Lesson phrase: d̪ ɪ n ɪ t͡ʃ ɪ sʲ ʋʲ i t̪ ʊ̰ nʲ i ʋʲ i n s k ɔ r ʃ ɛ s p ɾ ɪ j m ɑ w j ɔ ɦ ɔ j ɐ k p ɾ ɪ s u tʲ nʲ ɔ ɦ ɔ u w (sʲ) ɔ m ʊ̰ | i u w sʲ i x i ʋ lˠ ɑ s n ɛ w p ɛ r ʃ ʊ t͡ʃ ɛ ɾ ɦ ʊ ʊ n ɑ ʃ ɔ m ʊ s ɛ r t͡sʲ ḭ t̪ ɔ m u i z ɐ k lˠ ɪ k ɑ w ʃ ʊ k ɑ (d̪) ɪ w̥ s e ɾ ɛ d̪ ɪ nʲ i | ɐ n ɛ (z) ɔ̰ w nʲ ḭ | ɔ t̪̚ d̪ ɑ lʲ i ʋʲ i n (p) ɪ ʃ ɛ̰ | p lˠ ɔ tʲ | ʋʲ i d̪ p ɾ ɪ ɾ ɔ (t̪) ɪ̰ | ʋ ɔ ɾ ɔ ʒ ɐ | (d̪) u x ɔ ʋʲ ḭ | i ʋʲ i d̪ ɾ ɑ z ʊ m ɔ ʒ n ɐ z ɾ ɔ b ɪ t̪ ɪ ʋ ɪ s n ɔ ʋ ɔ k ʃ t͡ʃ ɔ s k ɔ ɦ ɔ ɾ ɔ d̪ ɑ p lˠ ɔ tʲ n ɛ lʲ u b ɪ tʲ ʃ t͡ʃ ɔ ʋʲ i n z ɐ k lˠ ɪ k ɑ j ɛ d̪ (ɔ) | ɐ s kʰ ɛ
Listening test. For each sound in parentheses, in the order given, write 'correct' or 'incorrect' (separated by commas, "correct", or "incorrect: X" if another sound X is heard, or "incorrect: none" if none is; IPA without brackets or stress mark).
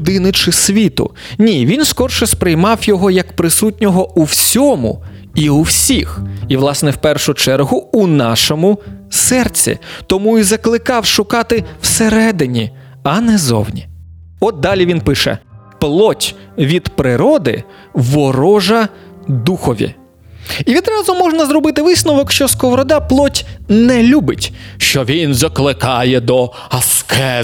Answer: correct, incorrect: t̪, correct, correct, incorrect: d̪, correct, correct